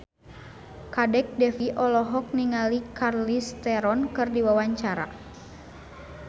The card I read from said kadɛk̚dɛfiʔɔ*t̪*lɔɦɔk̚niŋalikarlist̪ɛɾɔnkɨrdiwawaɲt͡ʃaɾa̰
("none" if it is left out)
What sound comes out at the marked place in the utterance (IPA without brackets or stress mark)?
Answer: none